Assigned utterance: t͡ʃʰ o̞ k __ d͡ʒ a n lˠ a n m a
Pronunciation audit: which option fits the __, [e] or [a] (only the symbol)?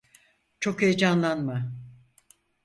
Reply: e